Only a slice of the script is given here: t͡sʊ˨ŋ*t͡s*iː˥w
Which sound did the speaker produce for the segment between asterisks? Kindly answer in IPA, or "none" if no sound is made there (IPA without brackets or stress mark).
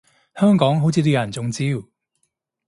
t͡s